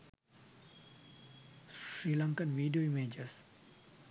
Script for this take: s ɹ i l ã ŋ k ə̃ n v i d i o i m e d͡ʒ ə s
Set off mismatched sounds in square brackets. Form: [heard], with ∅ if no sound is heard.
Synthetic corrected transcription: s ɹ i l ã ŋ k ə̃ n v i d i o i m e d͡ʒ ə s